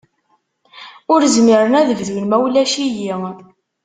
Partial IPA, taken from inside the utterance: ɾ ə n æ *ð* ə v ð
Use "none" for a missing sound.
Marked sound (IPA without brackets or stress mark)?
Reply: ð